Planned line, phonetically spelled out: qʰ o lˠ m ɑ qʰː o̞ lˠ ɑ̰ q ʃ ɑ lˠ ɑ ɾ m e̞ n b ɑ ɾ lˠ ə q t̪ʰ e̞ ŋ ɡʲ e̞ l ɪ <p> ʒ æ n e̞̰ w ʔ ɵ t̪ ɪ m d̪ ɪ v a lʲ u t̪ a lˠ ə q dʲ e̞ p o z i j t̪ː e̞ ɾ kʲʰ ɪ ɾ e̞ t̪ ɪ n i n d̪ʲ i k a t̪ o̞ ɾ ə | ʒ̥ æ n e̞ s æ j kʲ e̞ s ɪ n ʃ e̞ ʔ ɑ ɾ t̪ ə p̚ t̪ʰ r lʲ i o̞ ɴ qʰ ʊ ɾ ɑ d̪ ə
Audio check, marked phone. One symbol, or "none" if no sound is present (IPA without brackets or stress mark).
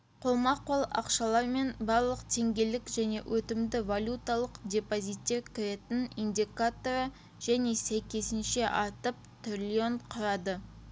k